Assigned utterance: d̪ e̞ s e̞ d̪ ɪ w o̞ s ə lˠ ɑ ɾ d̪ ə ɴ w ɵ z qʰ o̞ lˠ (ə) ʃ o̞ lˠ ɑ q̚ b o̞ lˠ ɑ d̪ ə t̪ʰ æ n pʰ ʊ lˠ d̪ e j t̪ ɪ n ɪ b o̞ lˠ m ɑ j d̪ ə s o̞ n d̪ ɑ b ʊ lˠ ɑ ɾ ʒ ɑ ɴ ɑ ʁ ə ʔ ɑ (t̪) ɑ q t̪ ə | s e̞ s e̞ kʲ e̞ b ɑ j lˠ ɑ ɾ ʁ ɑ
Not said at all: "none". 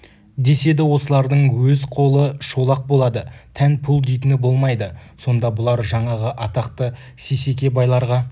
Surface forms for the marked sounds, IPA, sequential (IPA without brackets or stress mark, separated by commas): ə, t̪